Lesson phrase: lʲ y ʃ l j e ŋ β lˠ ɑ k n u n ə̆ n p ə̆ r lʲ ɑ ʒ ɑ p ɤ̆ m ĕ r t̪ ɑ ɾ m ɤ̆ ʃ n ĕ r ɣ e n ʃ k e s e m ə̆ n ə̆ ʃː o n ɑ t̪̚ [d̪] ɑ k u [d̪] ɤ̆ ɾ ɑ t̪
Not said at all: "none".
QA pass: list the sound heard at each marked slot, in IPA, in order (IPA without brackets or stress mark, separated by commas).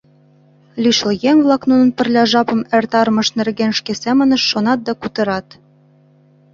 d̪, t̪